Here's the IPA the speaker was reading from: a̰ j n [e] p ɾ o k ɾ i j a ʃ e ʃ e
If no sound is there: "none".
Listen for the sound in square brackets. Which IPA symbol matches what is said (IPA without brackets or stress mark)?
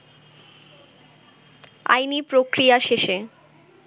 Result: i